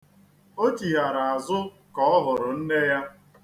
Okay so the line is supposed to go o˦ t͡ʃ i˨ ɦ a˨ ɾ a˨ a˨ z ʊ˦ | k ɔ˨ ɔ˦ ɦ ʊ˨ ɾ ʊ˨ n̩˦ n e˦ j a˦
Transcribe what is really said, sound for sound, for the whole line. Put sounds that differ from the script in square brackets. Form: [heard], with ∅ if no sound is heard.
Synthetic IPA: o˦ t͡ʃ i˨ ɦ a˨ ɾ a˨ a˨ z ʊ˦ | k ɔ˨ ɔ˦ ɦ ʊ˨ ɾ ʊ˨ n̩˦ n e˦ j a˦